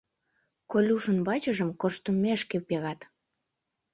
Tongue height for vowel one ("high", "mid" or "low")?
mid